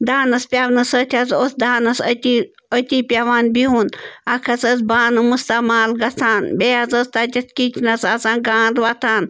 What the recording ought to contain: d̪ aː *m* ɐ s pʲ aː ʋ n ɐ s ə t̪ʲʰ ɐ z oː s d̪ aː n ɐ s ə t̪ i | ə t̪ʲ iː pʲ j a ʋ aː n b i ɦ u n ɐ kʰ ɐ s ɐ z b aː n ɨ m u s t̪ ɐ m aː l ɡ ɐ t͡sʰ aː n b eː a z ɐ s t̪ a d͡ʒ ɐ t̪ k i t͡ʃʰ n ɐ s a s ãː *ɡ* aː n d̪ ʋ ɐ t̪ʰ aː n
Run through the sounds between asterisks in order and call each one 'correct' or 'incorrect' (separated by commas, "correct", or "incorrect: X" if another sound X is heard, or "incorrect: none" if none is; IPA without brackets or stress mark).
incorrect: n, correct